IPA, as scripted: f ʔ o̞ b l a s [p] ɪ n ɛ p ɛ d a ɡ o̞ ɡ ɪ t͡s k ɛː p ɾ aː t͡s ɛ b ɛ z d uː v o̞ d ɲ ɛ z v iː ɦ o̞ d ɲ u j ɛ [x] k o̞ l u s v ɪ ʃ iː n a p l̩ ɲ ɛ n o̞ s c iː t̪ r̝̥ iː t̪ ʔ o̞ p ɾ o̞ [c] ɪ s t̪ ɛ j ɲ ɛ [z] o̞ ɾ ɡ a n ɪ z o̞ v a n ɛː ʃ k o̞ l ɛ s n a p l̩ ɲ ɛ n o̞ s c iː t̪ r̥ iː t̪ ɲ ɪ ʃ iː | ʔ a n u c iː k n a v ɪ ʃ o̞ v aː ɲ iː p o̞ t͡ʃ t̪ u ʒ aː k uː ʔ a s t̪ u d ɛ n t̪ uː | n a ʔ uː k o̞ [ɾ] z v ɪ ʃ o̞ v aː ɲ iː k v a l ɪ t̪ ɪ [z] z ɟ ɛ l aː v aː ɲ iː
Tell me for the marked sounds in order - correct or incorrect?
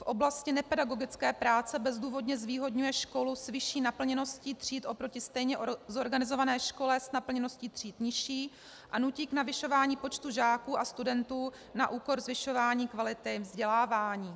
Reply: incorrect, incorrect, correct, correct, correct, incorrect

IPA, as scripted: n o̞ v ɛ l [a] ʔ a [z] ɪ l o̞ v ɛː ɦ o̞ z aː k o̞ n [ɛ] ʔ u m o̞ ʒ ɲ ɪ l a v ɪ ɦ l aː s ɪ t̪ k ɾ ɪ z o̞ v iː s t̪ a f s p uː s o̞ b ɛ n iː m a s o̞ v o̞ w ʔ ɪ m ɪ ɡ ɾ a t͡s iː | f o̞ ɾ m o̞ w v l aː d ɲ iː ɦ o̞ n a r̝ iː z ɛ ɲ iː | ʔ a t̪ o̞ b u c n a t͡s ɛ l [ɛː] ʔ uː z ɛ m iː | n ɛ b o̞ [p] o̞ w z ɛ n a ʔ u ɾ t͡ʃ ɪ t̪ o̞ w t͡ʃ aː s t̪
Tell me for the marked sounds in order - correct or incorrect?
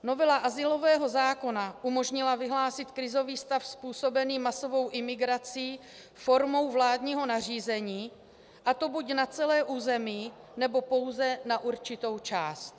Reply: correct, correct, incorrect, correct, correct

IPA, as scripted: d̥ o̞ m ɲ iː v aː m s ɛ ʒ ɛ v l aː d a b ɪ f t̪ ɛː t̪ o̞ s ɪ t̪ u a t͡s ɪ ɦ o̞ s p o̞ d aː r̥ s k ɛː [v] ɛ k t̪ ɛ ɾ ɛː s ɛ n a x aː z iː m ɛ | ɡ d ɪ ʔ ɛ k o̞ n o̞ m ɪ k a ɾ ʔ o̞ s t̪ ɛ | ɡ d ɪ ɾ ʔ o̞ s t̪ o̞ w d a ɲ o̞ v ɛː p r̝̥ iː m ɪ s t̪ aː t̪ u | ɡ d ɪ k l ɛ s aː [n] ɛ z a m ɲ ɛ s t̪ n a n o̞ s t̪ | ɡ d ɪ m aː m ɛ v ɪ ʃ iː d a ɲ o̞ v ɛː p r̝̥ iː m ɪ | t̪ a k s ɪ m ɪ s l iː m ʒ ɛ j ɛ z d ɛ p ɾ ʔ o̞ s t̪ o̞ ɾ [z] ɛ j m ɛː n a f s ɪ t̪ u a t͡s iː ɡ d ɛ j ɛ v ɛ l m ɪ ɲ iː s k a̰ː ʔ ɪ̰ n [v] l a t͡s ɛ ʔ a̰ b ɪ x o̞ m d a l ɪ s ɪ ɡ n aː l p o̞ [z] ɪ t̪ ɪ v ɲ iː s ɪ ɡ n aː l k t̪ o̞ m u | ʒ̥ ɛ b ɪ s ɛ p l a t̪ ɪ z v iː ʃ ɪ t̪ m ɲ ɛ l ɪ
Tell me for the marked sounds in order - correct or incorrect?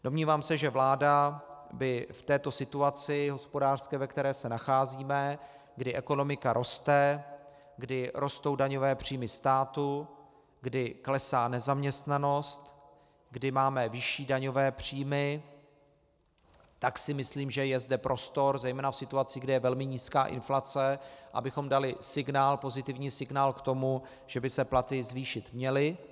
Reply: correct, correct, correct, incorrect, correct

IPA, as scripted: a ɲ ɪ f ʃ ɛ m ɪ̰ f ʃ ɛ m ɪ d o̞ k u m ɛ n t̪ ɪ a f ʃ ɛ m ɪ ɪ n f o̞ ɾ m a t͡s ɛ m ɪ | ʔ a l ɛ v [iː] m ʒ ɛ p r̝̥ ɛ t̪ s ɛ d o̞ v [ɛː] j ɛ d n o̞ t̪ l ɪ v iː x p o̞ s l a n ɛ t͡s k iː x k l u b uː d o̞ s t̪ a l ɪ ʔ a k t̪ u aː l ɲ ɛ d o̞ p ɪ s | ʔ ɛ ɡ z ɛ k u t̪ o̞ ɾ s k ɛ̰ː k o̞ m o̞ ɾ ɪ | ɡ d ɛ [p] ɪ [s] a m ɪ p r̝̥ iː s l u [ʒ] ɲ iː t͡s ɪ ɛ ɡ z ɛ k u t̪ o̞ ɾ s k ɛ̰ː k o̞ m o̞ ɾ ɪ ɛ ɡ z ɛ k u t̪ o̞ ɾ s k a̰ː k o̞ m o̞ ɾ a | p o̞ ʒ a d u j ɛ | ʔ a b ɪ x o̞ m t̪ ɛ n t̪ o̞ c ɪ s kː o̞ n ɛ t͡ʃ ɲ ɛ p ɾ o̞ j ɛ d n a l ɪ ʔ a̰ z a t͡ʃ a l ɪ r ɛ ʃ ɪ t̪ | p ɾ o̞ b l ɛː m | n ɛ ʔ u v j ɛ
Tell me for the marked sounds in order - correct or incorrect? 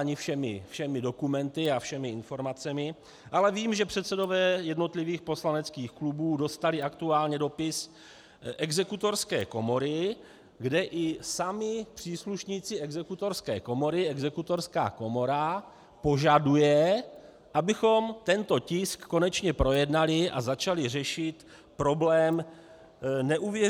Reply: correct, correct, incorrect, correct, incorrect

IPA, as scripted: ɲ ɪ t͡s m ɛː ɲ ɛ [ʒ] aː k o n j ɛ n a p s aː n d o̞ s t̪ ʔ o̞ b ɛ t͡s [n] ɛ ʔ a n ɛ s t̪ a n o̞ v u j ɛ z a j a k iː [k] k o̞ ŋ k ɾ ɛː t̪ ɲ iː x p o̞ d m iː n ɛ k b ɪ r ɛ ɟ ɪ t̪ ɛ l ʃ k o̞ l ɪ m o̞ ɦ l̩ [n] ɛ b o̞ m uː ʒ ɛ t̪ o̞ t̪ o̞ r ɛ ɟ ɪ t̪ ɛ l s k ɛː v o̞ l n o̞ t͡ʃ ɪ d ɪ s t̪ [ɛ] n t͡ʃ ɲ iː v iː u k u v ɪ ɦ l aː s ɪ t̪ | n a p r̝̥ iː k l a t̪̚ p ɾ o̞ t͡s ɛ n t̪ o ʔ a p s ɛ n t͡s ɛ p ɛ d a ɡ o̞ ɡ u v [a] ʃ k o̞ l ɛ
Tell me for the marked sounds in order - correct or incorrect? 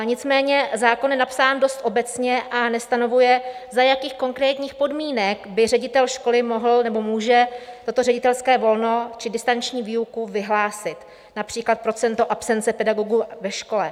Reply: incorrect, incorrect, incorrect, correct, incorrect, incorrect

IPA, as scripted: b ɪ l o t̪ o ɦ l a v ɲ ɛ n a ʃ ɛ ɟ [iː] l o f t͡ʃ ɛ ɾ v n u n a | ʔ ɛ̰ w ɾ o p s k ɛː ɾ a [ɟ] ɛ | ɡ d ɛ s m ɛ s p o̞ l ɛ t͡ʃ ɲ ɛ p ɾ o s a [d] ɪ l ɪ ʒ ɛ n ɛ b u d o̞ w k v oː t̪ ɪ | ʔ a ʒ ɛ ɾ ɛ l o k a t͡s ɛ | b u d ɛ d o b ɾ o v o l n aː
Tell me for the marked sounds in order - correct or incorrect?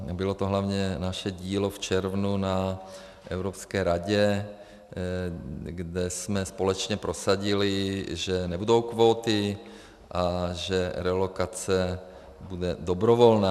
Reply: correct, correct, incorrect

